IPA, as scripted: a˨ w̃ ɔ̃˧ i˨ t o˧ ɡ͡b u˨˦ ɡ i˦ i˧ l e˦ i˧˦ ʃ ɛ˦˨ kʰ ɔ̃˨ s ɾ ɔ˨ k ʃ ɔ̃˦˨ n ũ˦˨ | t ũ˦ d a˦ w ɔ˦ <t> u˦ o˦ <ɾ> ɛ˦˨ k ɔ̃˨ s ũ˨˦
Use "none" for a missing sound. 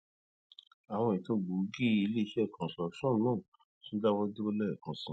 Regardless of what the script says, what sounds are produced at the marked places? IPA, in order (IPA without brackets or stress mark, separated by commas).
d, l